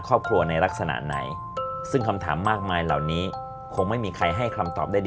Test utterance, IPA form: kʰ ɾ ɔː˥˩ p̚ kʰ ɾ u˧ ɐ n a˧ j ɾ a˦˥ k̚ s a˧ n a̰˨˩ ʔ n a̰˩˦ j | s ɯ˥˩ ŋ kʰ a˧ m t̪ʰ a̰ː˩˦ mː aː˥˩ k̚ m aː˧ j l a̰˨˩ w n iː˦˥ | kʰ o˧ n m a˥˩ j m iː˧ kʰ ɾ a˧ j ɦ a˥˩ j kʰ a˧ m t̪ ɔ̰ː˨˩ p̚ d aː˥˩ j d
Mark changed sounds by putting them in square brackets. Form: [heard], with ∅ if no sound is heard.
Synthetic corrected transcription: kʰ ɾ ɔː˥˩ p̚ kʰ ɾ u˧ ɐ n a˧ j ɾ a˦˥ k̚ s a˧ n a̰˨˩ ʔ n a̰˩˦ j | s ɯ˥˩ ŋ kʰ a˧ m t̪ʰ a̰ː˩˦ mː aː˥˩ k̚ m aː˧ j l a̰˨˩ w n iː˦˥ | kʰ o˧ [ŋ] m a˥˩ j m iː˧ kʰ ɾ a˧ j ɦ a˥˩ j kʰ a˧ m t̪ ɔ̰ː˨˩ p̚ d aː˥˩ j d